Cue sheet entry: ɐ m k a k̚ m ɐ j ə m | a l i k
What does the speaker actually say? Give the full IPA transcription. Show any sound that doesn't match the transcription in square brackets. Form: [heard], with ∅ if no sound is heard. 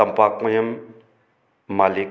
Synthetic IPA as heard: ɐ m [p] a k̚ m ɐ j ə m | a l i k